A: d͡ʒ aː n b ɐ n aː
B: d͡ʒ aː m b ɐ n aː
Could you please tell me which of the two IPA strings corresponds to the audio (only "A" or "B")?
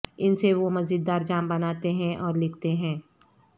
B